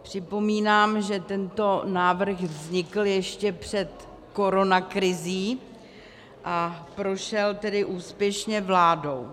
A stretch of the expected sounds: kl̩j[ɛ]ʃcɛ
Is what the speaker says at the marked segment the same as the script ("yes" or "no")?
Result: yes